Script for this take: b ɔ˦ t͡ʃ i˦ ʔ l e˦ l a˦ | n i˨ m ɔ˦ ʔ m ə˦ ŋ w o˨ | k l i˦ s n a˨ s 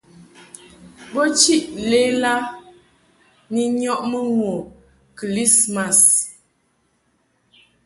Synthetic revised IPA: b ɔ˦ t͡ʃ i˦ ʔ l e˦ l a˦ | n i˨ ɲ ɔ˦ ʔ m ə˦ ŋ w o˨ | k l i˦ s m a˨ s